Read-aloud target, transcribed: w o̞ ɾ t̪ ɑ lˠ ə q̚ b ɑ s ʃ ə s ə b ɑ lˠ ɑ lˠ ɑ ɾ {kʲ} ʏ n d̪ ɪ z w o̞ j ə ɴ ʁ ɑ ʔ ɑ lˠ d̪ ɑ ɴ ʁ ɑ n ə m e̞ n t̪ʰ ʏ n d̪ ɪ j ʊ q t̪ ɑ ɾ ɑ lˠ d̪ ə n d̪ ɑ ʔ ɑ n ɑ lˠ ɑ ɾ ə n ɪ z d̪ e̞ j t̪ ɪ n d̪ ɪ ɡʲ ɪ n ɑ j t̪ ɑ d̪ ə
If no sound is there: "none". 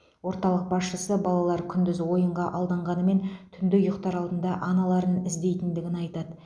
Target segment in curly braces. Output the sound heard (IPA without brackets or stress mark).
kʲʰ